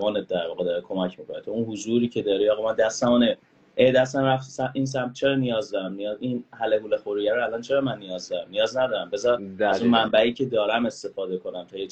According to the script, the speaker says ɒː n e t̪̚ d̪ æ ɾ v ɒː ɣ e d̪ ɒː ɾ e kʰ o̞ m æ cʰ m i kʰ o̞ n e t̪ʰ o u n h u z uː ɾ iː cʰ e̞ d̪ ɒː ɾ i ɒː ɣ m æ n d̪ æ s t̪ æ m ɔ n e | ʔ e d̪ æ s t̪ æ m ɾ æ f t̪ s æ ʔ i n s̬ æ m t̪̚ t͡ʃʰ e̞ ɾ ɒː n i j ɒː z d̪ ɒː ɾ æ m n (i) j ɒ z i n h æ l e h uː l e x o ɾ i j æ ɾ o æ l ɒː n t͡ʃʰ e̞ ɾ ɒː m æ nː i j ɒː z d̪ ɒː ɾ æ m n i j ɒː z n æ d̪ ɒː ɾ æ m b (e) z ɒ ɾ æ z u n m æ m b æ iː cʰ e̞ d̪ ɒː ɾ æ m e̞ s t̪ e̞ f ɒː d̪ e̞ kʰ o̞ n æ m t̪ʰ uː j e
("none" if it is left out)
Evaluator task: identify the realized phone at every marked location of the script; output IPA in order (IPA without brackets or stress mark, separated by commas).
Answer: i, e